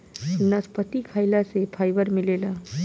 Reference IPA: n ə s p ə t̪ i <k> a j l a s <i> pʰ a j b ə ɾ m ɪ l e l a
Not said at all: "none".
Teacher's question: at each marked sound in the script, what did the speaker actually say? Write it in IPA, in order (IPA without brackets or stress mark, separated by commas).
kʰ, e